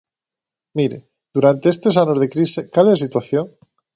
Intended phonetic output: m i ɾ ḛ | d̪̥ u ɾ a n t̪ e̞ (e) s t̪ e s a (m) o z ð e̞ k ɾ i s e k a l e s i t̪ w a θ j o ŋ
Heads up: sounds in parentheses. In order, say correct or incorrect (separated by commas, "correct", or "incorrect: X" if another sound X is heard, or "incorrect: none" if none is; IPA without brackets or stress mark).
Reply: correct, incorrect: n